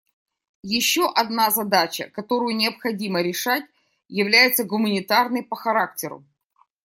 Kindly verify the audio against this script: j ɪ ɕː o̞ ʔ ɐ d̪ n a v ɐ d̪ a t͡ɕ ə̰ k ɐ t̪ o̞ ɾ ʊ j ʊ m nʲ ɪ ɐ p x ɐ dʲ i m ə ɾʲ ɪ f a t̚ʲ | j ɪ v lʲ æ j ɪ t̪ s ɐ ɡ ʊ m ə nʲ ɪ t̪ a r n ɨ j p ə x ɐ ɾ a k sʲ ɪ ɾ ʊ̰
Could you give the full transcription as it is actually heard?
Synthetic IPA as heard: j ɪ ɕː o̞ ʔ ɐ d̪ n a z ɐ d̪ a t͡ɕ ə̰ k ɐ t̪ o̞ ɾ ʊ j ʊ nʲ ɪ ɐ p x ɐ dʲ i m ə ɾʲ ɪ ʂ a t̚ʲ | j ɪ v lʲ æ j ɪ t̪ s ə ɡ ʊ m ə nʲ ɪ t̪ a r n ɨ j p ə x ɐ ɾ a k tʲ ɪ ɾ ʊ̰